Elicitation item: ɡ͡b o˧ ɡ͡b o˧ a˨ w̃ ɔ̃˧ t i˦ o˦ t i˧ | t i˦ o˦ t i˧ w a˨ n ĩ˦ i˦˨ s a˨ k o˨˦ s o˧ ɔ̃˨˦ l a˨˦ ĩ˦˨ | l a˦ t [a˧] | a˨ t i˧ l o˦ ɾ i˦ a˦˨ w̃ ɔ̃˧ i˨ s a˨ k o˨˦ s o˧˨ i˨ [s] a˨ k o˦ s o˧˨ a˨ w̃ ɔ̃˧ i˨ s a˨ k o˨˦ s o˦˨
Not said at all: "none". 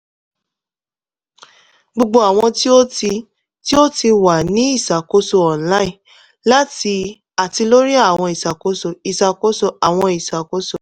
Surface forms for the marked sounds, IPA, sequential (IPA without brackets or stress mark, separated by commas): i˧, s